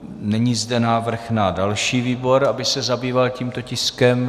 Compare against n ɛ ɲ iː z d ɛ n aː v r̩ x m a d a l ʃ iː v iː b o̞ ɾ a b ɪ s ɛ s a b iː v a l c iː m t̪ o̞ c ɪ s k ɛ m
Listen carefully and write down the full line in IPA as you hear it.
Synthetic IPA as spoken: n ɛ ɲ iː z d ɛ n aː v r̩ x n a d a l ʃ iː v iː b o̞ ɾ a b ɪ s ɛ z a b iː v a l c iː m t̪ o̞ c ɪ s k ɛ m